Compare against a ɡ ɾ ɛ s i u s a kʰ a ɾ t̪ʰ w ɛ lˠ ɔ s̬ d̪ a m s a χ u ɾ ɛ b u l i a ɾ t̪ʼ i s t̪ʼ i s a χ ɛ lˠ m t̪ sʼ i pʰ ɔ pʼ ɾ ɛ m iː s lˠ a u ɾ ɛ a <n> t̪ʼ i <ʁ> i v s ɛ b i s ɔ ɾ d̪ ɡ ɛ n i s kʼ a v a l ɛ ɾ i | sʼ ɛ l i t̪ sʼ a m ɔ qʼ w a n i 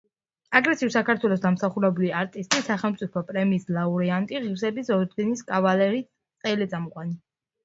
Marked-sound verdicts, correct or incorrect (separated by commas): correct, correct